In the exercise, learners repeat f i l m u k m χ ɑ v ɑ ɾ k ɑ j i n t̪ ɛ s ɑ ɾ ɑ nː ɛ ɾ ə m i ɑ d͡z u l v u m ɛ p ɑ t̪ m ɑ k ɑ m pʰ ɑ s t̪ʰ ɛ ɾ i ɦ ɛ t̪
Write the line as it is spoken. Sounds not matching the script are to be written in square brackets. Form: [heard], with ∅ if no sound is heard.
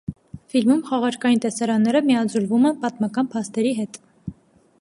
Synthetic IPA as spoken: f i l m u [∅] m χ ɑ [ʁ] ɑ ɾ k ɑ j i n t̪ ɛ s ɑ ɾ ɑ nː ɛ ɾ ə m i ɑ d͡z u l v u m ɛ p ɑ t̪ m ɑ k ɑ [n] pʰ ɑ s [t̪] ɛ ɾ i ɦ ɛ t̪